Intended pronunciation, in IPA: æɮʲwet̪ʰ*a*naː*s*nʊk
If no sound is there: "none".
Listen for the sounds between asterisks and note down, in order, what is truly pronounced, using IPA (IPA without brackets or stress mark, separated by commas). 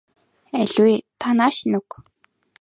a, ʃ